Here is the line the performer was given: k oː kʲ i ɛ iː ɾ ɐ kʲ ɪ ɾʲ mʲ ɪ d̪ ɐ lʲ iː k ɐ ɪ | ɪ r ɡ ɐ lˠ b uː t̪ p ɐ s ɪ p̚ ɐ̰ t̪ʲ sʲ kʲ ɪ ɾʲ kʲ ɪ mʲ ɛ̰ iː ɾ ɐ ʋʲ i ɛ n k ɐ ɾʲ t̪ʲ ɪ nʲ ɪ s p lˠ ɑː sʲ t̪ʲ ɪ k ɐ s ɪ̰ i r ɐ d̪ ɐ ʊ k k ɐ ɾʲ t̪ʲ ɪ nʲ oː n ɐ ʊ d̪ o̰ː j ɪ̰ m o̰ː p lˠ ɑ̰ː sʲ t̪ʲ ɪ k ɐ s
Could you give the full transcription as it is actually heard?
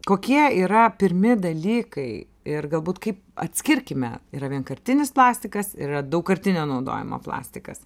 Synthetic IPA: k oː kʲ i ɛ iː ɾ ɐ pʲ ɪ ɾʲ mʲ ɪ d̪ ɐ lʲ iː k ɐ ɪ | ɪ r ɡ ɐ lˠ b uː t̪ k ɐ ɪ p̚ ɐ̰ t̪ʲ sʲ kʲ ɪ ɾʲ kʲ ɪ mʲ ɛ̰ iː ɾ ɐ ʋʲ i ɛ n k ɐ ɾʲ t̪ʲ ɪ nʲ ɪ s p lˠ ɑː sʲ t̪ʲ ɪ k ɐ s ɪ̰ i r ɐ d̪ ɐ ʊ k k ɐ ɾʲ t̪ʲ ɪ nʲ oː n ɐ ʊ d̪ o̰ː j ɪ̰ m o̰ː p lˠ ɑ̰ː sʲ t̪ʲ ɪ k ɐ s